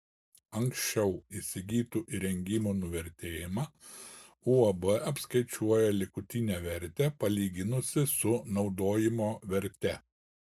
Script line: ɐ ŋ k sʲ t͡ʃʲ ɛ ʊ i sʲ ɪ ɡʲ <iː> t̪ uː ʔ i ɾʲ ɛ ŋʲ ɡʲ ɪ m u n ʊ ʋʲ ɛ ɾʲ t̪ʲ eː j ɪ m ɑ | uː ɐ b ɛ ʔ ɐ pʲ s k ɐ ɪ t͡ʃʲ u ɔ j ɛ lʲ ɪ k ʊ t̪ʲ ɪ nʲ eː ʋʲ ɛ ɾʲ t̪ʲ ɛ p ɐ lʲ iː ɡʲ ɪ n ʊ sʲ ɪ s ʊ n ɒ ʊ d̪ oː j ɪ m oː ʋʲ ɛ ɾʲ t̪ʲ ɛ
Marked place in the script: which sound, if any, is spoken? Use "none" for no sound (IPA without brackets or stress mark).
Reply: iː